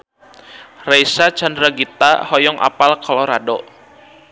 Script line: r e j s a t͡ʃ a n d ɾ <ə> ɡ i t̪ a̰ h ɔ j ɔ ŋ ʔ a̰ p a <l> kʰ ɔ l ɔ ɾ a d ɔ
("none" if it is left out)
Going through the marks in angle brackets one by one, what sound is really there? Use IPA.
a, l

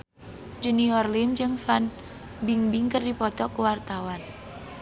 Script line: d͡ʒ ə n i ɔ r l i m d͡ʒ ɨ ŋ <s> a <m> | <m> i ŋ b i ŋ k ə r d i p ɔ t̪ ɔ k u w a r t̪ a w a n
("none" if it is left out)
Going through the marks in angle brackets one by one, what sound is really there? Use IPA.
f, n, b

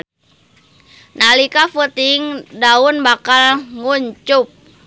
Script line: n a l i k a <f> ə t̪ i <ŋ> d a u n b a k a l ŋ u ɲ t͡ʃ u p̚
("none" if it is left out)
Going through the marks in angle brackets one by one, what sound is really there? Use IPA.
f, ŋ

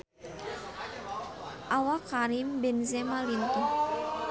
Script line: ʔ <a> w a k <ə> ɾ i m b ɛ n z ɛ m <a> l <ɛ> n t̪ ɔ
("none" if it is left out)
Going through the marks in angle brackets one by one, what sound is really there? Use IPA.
a, a, a, i

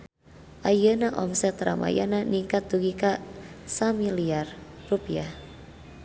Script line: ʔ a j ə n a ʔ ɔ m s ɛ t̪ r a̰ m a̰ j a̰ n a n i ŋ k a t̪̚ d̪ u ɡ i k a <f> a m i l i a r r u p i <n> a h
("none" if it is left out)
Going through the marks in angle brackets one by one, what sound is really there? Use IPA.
s, none

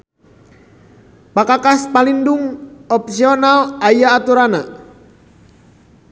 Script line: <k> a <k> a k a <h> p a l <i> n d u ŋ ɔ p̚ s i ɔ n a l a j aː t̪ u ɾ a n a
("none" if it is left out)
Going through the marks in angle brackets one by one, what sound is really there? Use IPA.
p, k, s, i

